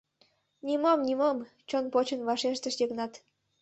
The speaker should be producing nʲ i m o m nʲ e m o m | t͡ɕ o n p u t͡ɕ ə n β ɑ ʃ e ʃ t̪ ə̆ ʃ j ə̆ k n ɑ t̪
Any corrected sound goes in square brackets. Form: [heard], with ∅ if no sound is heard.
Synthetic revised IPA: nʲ i m o m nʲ [i] m o m | t͡ɕ o n p [o] t͡ɕ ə n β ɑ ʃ e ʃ t̪ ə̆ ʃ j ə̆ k n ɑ t̪